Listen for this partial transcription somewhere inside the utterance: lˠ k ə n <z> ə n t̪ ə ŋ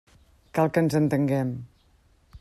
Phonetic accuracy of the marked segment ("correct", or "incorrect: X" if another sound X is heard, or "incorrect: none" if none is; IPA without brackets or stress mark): correct